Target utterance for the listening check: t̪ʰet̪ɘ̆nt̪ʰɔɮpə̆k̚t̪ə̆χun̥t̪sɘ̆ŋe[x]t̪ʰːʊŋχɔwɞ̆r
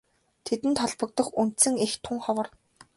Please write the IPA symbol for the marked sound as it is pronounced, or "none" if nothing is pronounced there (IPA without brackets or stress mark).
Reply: x